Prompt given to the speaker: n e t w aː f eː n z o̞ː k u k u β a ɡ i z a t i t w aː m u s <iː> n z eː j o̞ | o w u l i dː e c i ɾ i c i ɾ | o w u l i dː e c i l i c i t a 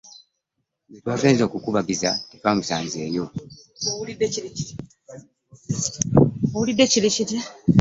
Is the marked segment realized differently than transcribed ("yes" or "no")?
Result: yes